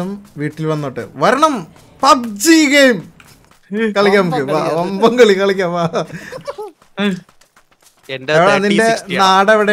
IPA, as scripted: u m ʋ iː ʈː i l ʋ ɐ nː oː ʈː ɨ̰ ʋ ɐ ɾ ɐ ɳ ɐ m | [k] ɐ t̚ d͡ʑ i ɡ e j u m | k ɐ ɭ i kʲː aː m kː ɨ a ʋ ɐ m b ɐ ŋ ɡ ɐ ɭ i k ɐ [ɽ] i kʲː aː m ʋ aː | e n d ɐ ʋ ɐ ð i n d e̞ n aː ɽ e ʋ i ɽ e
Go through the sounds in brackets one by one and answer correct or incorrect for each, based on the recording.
incorrect: p, incorrect: ɭ

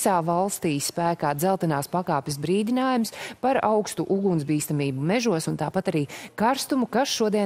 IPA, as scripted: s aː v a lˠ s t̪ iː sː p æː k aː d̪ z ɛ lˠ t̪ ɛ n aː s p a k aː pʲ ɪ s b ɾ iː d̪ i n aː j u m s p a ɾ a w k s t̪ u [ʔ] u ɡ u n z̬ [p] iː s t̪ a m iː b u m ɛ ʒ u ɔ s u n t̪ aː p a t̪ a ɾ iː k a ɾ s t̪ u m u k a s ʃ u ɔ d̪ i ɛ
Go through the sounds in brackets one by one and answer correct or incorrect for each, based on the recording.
correct, incorrect: b

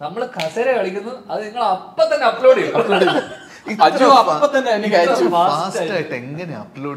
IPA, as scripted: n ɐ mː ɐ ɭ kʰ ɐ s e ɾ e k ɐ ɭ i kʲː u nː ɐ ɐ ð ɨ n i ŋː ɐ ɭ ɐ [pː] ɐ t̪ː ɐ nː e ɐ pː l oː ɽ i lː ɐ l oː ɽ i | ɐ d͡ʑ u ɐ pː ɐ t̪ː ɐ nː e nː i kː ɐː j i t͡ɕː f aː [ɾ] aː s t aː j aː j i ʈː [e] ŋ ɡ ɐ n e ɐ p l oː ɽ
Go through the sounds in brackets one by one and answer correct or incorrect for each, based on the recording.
correct, incorrect: none, correct

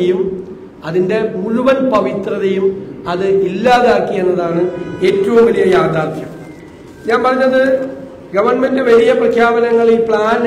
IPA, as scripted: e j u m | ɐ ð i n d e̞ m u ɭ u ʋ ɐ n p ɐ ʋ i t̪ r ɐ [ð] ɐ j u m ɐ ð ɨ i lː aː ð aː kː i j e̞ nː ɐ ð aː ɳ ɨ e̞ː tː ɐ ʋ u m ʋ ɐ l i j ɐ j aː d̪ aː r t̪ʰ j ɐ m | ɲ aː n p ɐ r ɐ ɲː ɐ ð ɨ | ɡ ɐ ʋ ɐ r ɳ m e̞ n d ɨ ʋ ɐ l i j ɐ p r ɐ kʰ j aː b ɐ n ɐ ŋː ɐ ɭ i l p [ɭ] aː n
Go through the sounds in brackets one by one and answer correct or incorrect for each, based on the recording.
correct, correct

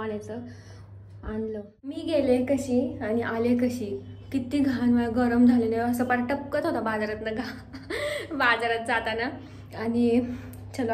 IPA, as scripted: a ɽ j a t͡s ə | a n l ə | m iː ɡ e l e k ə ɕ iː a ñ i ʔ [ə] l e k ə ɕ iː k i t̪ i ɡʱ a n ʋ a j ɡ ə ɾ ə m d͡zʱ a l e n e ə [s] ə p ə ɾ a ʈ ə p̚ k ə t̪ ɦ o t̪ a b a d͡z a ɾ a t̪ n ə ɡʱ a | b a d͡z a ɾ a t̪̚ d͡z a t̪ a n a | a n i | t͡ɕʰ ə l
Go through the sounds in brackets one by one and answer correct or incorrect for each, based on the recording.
incorrect: a, correct

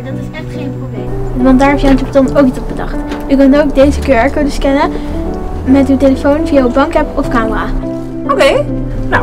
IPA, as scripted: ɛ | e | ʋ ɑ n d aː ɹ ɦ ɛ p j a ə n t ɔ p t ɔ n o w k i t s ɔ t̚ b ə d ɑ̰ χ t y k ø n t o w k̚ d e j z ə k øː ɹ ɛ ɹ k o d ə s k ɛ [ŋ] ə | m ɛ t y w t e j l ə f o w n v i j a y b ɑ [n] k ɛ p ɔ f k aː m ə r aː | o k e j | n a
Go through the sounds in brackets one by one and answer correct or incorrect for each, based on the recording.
incorrect: n, incorrect: ŋ

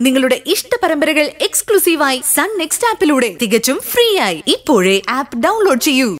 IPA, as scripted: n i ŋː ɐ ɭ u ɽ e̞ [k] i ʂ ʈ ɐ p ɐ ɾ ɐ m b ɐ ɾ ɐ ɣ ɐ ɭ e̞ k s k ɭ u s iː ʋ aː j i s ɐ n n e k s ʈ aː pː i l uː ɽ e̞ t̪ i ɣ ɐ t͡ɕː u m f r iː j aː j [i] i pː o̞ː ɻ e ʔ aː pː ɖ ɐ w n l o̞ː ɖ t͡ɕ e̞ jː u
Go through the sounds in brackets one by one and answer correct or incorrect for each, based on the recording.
incorrect: ʔ, correct

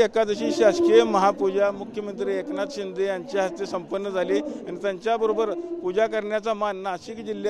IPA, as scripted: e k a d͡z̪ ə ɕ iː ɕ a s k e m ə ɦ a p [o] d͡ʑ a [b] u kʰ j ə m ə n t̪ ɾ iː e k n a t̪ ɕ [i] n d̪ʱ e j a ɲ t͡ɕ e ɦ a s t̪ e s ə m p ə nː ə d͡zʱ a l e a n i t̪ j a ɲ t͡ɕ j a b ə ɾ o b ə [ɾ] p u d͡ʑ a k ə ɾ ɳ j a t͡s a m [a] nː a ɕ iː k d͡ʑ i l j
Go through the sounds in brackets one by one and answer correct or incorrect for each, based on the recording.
incorrect: u, incorrect: m, correct, correct, correct

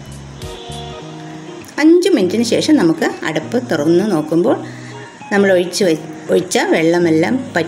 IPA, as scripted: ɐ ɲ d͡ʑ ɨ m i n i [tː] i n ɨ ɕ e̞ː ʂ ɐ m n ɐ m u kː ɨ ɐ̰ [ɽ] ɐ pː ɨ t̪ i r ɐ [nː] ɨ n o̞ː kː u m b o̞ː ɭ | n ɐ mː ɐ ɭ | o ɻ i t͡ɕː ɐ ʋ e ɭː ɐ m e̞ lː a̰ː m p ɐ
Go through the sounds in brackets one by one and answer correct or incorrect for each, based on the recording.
correct, correct, correct

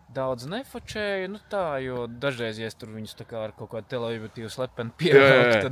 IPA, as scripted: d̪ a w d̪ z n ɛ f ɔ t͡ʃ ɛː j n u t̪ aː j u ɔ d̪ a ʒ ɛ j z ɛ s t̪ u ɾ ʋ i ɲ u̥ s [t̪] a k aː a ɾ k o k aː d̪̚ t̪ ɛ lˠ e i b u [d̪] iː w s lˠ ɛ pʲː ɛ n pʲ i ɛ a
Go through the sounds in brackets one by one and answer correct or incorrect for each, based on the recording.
correct, incorrect: t̪

